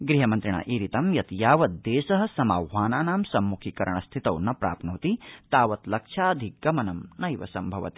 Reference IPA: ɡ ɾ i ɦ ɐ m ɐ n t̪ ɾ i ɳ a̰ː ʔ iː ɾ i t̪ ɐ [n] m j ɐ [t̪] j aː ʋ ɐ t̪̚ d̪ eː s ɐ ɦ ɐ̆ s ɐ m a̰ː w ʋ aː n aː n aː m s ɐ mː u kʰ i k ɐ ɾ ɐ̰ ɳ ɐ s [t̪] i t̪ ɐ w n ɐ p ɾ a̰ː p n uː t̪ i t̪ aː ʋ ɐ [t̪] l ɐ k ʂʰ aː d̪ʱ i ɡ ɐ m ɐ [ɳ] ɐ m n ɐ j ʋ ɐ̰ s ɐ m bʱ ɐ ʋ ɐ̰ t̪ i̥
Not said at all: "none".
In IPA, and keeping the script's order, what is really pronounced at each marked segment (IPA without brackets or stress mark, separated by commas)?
none, t̪, t̪ʰ, t̪, n